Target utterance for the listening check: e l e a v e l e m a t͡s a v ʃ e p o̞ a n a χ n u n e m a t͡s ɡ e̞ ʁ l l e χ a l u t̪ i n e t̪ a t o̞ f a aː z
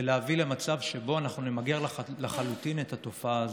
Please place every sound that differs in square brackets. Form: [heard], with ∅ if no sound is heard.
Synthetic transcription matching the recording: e l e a v [i] l e m a t͡s a v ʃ e [b] o̞ a n a χ n u n e m a [∅] ɡ e̞ ʁ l l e χ a l u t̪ i n e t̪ a t o̞ f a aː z